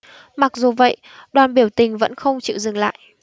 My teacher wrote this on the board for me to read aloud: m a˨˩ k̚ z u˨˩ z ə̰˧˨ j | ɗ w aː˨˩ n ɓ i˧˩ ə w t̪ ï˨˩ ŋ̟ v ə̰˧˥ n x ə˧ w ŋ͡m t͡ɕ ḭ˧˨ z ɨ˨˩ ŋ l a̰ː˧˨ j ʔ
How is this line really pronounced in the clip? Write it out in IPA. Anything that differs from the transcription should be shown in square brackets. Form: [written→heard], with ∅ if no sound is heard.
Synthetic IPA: m a˨˩ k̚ z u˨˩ [z→v] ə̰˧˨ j | ɗ w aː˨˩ n ɓ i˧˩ ə w t̪ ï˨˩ ŋ̟ v ə̰˧˥ n x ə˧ w ŋ͡m t͡ɕ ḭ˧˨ z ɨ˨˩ ŋ l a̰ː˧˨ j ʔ